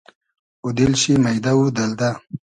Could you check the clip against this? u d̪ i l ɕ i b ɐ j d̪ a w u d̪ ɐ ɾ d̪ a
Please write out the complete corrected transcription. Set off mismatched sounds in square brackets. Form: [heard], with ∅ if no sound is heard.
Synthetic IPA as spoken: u d̪ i l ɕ i [m] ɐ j d̪ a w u d̪ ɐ [l] d̪ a

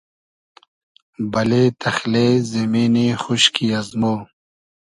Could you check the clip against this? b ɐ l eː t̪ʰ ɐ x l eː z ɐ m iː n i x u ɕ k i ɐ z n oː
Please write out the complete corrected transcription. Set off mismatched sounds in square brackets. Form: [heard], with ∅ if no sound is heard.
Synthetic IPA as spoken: b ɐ l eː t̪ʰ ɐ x l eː z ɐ m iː n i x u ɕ k i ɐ z [m] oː

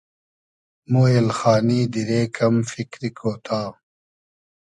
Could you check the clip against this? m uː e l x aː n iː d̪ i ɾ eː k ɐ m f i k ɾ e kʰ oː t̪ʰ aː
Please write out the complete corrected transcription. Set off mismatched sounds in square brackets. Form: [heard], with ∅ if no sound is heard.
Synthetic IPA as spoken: m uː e l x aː n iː d̪ i ɾ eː k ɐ m f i k ɾ [i] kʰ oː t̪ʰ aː

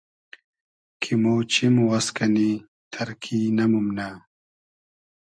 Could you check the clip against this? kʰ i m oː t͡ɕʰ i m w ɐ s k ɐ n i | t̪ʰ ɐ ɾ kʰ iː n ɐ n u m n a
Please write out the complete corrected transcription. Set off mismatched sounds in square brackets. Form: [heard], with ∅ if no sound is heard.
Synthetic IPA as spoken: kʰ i m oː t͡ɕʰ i m w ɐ s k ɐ n i | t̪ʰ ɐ ɾ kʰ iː n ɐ [m] u m n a

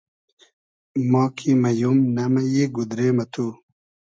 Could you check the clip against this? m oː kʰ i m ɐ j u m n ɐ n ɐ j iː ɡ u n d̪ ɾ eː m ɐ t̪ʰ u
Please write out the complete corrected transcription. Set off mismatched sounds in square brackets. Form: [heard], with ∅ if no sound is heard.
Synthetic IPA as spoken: m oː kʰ i m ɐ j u m n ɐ [m] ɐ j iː ɡ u [∅] d̪ ɾ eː m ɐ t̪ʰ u

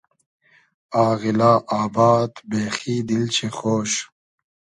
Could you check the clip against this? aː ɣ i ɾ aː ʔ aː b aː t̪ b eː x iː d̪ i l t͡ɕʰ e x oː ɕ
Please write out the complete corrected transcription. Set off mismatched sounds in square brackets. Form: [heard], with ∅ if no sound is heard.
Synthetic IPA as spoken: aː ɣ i [l] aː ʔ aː b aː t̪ b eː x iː d̪ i l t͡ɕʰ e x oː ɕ

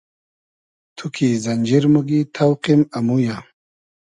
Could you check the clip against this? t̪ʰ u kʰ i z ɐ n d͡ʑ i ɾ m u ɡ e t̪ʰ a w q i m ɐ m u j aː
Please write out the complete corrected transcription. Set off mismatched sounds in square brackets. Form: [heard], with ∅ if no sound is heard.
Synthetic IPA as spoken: t̪ʰ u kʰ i z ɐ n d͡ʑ i ɾ m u ɡ [i] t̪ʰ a w q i m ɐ m u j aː

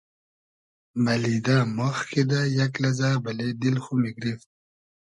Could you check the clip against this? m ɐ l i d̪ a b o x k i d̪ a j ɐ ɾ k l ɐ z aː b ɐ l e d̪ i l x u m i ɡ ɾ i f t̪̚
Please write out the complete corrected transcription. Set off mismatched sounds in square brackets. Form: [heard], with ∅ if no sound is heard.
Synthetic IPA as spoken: m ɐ l i d̪ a [m] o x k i d̪ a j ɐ [∅] k l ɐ z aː b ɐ l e d̪ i l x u m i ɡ ɾ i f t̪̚

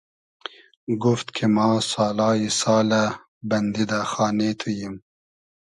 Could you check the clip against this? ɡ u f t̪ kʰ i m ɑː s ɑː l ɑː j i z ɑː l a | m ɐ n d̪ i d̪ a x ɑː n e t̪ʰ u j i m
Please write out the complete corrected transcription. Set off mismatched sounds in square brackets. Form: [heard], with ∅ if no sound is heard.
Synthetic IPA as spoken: ɡ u f t̪ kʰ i m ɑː s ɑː l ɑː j i [s] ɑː l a | [b] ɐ n d̪ i d̪ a x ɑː n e t̪ʰ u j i m

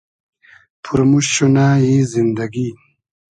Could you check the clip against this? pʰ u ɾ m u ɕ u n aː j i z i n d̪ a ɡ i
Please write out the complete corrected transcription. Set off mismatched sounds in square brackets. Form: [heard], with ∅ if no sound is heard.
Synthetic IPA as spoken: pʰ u ɾ m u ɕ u n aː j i z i n d̪ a ɡ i

